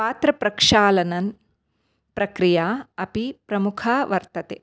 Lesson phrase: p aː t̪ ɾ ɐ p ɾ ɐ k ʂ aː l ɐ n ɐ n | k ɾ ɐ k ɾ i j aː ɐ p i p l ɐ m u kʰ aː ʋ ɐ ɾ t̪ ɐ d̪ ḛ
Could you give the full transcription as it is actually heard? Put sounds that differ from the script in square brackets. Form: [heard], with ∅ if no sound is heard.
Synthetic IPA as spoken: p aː t̪ ɾ ɐ p ɾ ɐ k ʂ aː l ɐ n ɐ n | [p] ɾ ɐ k ɾ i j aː ɐ p i p [ɾ] ɐ m u kʰ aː ʋ ɐ ɾ t̪ ɐ [t̪] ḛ